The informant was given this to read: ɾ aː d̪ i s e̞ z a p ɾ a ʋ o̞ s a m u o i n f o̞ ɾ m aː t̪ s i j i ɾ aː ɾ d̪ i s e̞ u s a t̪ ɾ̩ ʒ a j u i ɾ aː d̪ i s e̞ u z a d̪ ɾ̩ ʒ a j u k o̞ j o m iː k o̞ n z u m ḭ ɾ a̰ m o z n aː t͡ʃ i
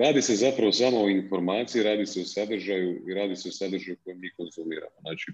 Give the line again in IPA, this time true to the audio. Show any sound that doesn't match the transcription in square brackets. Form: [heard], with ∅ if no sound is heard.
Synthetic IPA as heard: ɾ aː d̪ i s e̞ z a p ɾ a ʋ o̞ s a m [o] o i n f o̞ ɾ m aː t̪ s i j i ɾ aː [∅] d̪ i s e̞ u s a [d̪] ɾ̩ ʒ a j u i ɾ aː d̪ i s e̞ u [s] a d̪ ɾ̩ ʒ a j u k o̞ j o m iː k o̞ n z u m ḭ ɾ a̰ m o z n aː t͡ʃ i